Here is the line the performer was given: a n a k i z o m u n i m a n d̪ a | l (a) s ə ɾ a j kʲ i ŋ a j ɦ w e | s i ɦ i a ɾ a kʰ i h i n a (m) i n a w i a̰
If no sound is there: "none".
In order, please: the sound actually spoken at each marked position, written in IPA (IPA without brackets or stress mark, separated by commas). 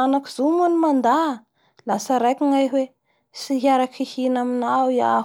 a, m